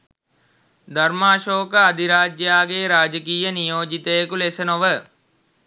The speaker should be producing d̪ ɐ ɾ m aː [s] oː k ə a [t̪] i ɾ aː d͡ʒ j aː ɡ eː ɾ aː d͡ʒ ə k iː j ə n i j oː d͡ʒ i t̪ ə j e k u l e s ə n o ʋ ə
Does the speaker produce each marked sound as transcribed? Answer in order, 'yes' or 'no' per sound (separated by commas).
no, no